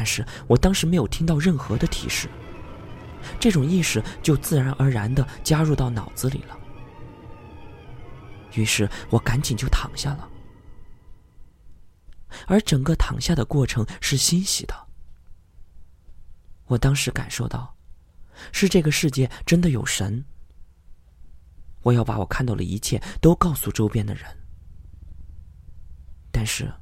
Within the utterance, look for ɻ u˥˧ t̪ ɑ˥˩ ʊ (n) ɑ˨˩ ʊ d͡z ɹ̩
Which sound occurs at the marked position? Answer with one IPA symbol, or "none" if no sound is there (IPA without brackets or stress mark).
n